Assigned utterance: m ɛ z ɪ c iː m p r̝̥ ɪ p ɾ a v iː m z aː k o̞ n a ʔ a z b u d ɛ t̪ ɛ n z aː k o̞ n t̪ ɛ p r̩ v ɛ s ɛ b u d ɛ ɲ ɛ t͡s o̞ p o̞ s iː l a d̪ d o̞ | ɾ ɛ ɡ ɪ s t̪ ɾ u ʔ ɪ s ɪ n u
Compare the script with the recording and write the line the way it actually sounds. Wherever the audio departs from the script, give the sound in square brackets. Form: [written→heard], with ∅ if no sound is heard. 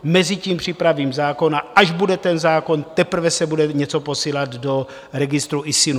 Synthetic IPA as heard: m ɛ z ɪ c iː m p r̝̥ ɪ p ɾ a v iː m z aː k o̞ n a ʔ a [z→ʒ] b u d ɛ t̪ ɛ n z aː k o̞ n t̪ ɛ p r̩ v ɛ s ɛ b u d ɛ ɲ ɛ t͡s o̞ p o̞ s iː l a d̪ d o̞ | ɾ ɛ ɡ ɪ s t̪ ɾ u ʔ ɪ s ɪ n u